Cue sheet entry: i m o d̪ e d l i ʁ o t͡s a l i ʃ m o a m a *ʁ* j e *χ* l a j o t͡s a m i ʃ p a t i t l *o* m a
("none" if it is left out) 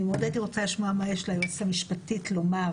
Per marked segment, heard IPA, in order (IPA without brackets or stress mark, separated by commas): none, ʃ, o